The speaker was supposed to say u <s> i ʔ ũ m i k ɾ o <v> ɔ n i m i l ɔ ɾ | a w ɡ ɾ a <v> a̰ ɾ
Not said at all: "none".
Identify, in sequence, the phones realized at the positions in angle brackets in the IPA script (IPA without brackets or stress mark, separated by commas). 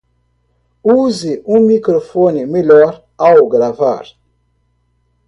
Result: z, f, v